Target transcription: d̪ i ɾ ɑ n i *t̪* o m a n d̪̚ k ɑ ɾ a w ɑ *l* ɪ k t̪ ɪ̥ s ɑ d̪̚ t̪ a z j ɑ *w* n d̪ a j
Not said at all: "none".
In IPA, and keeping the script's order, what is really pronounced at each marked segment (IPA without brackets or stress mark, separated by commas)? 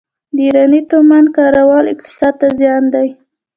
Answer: t̪, l, none